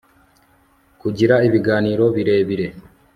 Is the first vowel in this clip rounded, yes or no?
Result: yes